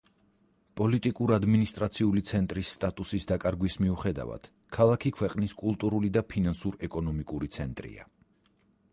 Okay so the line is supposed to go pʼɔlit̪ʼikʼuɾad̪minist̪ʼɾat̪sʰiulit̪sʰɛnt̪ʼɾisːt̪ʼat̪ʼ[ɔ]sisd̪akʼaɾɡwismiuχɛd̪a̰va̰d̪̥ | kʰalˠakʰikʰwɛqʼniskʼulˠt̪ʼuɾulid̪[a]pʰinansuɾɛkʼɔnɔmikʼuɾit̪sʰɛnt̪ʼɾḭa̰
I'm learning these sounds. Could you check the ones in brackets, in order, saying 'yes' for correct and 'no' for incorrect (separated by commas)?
no, yes